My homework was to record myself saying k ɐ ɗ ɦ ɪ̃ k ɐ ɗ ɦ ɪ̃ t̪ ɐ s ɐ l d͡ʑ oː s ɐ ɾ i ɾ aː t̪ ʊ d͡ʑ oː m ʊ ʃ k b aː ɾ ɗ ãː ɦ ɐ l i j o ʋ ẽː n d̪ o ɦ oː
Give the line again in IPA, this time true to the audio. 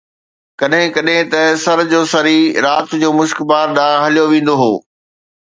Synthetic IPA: k ɐ ɗ ɦ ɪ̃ k ɐ ɗ ɦ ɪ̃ t̪ ɐ s ɐ ɾ d͡ʑ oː s ɐ ɾ i ɾ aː t̪ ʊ d͡ʑ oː m ʊ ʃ k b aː ɾ ɗ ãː ɦ ɐ l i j o ʋ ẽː n d̪ o ɦ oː